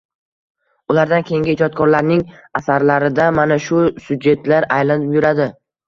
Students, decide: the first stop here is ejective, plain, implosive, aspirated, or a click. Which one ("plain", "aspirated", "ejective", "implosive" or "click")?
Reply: plain